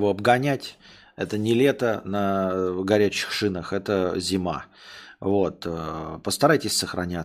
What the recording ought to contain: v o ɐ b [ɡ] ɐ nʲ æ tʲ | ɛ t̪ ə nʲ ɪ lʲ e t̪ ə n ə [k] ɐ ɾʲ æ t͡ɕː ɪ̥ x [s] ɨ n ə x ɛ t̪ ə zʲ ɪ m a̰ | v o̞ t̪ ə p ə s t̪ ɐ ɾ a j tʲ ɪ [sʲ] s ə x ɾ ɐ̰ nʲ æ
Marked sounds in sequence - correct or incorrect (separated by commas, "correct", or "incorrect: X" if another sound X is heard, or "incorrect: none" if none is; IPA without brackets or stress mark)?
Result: correct, incorrect: ɡ, incorrect: ʂ, correct